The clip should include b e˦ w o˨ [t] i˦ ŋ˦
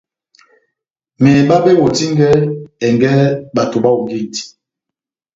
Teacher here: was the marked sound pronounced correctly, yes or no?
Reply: yes